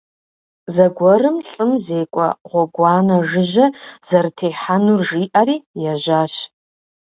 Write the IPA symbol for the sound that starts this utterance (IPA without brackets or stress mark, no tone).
z